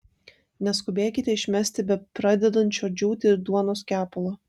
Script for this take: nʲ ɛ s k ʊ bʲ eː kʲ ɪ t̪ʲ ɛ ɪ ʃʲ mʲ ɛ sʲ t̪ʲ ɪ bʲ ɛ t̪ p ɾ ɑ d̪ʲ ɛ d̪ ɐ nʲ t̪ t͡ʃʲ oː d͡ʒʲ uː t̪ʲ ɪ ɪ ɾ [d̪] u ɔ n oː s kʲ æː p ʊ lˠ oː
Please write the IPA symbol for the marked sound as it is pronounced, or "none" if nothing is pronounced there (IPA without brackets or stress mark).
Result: d̪